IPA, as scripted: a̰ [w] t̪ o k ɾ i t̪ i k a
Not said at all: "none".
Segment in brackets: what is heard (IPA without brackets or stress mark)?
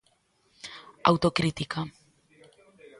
w